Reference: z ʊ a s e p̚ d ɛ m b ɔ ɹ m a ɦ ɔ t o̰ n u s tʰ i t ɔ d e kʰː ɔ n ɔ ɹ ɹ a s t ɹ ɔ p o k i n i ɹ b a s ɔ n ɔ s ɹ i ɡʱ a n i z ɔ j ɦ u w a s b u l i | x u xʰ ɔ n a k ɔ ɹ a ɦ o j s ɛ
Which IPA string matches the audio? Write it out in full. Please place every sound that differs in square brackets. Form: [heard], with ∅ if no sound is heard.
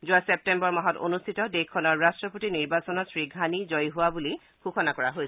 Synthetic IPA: z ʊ a s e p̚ [t] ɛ m b ɔ ɹ m a ɦ ɔ t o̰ n u s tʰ i t ɔ d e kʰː ɔ n ɔ ɹ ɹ a s t ɹ ɔ p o [t] i n i ɹ b a s ɔ n ɔ s ɹ i ɡʱ a n i z ɔ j ɦ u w a [∅] b u l i | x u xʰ ɔ n a k ɔ ɹ a ɦ o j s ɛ